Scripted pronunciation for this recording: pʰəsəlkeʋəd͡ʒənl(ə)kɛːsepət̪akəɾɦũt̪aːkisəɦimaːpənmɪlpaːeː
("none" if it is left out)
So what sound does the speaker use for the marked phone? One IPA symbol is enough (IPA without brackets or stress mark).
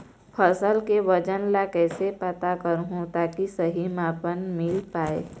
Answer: a